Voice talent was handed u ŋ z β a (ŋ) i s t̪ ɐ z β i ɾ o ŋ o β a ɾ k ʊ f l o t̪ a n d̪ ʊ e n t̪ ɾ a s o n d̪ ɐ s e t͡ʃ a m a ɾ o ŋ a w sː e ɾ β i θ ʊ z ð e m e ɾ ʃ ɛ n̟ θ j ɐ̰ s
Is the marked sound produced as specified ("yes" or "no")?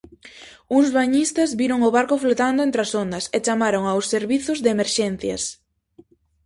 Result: no